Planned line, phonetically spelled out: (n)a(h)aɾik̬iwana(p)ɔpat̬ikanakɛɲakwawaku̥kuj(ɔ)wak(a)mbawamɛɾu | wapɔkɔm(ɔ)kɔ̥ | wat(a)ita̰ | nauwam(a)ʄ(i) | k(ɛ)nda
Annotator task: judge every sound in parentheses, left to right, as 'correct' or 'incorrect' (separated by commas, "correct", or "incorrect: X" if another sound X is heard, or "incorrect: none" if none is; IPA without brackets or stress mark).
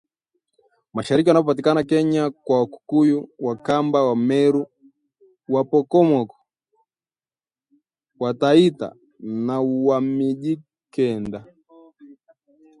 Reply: incorrect: m, incorrect: ʃ, correct, incorrect: u, correct, correct, correct, incorrect: i, correct, correct